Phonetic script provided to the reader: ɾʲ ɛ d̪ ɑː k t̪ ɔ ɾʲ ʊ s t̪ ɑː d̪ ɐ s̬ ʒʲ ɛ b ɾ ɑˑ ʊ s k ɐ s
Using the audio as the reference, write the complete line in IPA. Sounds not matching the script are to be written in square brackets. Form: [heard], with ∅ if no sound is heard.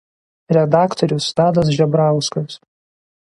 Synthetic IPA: ɾʲ ɛ d̪ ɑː k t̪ ɔ ɾʲ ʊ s t̪ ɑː d̪ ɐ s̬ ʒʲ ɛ b ɾ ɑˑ ʊ s k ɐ s